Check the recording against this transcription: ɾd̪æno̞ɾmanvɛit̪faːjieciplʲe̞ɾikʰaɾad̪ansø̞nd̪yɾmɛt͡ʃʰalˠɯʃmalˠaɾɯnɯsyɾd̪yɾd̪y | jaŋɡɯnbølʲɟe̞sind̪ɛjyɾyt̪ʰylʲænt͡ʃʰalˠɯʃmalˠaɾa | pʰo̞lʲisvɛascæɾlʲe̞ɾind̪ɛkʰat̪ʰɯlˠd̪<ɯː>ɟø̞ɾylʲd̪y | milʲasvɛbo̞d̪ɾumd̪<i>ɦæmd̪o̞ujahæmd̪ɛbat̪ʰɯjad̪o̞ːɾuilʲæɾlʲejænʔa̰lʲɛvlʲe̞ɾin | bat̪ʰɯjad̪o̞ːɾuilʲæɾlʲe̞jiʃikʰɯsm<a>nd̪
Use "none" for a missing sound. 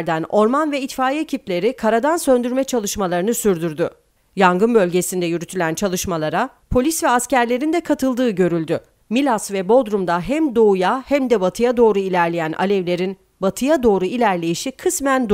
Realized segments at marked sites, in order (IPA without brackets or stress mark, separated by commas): ɯː, a, æ